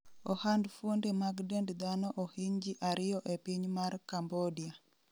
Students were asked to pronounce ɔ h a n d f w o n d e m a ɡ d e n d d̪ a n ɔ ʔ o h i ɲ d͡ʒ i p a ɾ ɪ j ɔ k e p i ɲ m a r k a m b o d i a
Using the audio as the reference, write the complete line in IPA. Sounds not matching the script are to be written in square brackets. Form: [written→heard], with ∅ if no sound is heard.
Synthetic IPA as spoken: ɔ h a n d f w o n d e m a ɡ d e n d d̪ a n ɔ ʔ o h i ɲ d͡ʒ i [p→ʔ] a ɾ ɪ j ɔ [k→ʔ] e p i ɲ m a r k a m b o d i a